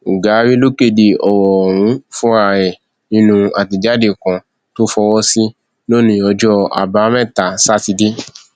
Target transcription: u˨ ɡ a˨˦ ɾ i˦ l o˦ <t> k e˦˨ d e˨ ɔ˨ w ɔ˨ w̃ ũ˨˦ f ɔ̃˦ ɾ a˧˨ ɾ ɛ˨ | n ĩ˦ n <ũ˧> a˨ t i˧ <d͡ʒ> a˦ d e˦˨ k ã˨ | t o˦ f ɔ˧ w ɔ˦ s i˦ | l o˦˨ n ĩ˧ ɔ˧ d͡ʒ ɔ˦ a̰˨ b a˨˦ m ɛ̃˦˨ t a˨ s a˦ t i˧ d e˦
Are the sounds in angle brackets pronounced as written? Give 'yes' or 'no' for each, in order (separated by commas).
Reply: no, yes, yes